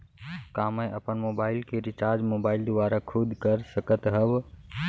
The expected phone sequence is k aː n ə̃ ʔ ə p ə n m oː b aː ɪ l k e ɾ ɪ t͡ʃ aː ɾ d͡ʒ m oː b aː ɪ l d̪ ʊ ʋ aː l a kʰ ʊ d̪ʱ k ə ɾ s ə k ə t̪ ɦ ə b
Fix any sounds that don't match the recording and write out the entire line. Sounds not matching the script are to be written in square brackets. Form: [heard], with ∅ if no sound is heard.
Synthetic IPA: k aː [m] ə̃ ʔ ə p ə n m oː b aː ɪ l k e ɾ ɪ t͡ʃ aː ɾ d͡ʒ m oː b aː ɪ l d̪ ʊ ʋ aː [ɾ] a kʰ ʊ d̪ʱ k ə ɾ s ə k ə t̪ ɦ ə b